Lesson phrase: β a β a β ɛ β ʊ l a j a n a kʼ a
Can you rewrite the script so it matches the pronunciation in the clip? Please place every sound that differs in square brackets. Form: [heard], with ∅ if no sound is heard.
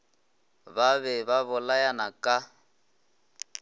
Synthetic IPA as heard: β a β [ɛ] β [a] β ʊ l a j a n a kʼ a